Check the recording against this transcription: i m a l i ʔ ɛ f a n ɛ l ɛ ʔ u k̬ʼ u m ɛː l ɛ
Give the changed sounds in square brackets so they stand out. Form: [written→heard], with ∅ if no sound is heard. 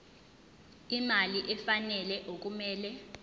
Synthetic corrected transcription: i m a l i ʔ ɛ f a n ɛ l ɛ ʔ [u→o] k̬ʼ u m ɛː l ɛ